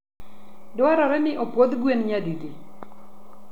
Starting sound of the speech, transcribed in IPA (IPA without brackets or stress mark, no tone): d